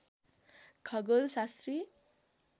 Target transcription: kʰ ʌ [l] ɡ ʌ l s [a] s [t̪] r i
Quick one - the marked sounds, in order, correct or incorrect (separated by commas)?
incorrect, correct, correct